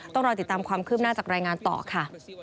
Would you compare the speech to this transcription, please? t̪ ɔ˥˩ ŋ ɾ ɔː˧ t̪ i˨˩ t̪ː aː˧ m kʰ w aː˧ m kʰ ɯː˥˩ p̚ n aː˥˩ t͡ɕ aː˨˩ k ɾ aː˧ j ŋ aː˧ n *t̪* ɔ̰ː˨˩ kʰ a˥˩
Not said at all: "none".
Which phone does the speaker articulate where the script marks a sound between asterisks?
t̪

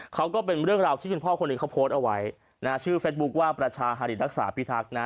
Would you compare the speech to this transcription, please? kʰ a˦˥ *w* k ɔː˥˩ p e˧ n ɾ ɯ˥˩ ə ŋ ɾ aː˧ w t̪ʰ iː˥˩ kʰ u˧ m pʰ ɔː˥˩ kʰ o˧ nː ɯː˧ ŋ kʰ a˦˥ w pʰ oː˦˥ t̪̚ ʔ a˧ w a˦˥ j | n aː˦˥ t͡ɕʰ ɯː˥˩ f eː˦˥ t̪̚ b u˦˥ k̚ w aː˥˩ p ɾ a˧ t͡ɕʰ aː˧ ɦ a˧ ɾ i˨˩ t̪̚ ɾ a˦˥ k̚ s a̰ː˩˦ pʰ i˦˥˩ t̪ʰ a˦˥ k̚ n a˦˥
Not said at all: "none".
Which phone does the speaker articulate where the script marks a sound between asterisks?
w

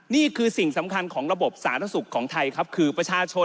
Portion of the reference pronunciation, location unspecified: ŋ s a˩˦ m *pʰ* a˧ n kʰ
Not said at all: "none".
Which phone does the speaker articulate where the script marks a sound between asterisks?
kʰ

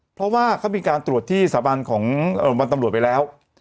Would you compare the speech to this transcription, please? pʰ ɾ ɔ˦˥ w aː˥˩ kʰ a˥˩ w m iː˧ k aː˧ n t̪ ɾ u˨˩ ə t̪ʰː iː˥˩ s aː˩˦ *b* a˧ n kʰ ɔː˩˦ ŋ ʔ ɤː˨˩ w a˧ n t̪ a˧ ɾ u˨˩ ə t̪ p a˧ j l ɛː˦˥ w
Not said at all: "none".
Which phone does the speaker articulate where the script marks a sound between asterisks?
b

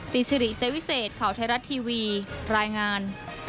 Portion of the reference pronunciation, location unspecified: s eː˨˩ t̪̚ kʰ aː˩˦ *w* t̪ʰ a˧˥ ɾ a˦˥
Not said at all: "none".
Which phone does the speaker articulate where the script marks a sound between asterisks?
w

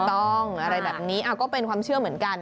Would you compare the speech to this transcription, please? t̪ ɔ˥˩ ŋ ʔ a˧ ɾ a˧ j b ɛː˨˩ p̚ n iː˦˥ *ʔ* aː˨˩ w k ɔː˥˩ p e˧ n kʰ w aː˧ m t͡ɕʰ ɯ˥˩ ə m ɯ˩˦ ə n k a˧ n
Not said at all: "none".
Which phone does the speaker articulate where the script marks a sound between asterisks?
ʔ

